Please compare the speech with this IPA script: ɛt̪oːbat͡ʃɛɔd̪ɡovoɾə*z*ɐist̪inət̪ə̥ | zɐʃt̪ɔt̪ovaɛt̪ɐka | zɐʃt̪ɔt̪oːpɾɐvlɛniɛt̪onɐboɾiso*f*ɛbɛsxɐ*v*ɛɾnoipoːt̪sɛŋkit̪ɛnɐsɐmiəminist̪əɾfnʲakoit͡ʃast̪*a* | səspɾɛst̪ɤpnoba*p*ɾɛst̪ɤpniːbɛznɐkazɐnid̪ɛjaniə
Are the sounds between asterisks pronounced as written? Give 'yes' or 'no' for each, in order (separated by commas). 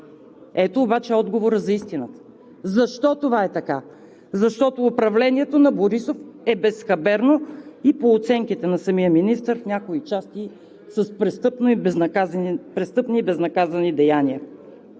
yes, yes, no, no, yes